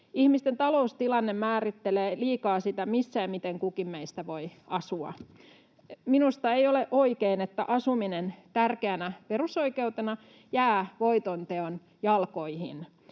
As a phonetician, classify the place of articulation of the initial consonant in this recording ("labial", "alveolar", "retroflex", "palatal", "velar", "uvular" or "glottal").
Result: glottal